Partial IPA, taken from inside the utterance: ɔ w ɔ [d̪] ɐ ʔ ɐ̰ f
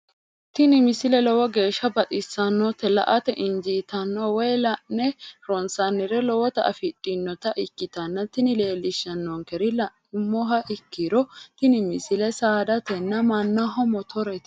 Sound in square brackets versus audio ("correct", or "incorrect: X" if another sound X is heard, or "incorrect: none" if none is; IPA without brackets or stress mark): incorrect: t̪